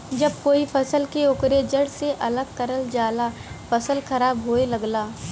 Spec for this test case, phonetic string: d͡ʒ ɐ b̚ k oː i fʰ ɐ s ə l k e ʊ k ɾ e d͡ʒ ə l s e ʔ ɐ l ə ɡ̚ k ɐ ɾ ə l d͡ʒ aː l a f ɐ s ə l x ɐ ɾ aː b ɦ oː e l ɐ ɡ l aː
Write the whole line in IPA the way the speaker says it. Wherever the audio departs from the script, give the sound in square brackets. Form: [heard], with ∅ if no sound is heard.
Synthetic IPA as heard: d͡ʒ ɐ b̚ k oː i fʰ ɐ s ə l k e ʊ k ɾ e d͡ʒ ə [ɽ] s e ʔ ɐ l ə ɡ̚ k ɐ ɾ ə l d͡ʒ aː l a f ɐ s ə l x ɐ ɾ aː b ɦ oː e l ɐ ɡ l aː